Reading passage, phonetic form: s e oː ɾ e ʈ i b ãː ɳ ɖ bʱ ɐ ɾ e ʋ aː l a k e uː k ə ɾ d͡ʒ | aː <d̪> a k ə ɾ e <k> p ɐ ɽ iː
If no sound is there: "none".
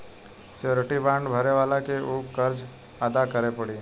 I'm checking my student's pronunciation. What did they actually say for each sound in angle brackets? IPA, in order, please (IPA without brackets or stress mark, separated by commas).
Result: d̪, none